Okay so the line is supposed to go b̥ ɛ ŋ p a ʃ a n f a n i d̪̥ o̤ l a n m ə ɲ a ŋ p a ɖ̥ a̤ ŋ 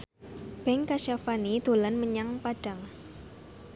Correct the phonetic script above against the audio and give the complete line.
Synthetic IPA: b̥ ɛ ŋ k a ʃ a f a n i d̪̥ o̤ l a n m ə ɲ a ŋ p a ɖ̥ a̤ ŋ